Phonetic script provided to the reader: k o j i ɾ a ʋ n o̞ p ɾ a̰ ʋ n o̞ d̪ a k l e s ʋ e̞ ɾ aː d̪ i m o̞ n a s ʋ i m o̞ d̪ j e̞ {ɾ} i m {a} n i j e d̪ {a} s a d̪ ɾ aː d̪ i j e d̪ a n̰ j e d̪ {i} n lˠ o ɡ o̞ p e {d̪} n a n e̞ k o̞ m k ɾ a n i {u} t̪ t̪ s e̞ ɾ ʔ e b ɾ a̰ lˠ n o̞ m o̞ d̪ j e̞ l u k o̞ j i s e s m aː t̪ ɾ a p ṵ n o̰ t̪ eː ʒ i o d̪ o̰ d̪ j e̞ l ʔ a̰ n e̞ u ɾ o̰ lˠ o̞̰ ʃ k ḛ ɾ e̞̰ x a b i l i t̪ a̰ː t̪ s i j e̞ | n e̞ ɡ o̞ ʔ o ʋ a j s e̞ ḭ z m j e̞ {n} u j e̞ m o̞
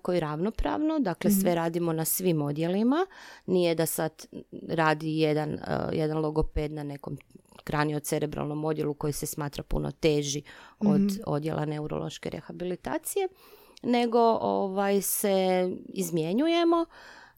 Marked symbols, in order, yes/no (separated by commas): no, yes, yes, no, yes, no, no